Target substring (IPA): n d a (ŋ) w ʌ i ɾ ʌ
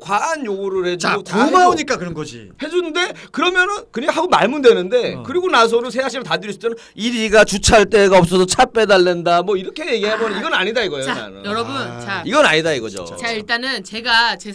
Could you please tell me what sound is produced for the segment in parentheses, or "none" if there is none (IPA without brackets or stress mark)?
m